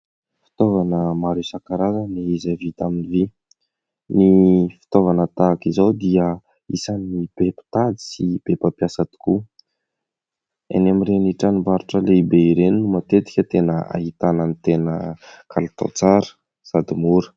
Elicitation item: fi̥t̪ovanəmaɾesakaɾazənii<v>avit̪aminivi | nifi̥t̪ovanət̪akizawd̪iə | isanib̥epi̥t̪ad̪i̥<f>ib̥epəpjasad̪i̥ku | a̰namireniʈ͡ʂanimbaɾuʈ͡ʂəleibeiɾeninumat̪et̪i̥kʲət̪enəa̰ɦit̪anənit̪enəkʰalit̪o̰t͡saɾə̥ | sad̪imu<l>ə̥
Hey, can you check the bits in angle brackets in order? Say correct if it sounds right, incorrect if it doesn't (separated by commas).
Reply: incorrect, incorrect, incorrect